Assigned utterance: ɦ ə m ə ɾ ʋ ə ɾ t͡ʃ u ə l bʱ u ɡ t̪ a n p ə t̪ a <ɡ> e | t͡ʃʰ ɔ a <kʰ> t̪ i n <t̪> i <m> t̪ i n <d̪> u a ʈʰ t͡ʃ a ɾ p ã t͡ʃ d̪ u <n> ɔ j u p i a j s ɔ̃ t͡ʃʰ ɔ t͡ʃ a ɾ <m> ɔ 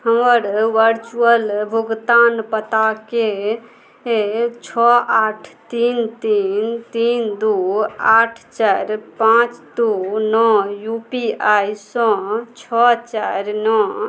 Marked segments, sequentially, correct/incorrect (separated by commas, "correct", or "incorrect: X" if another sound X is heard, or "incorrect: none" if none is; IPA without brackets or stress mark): incorrect: k, incorrect: ʈʰ, correct, incorrect: n, correct, correct, incorrect: n